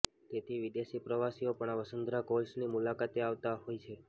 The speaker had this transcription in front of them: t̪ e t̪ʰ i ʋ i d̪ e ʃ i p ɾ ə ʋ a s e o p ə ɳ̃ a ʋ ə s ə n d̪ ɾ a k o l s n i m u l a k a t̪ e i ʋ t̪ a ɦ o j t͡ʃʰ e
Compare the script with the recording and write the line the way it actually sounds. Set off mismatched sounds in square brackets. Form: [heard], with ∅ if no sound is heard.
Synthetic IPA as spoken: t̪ e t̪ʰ i ʋ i d̪ e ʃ i p ɾ ə ʋ a s [i] o p ə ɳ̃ a ʋ ə s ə n d̪ ɾ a k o l s n i m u l a k a t̪ e [a] ʋ t̪ a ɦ o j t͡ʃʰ e